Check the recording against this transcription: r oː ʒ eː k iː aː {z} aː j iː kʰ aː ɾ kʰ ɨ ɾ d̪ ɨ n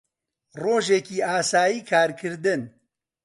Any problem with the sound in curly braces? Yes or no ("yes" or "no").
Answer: yes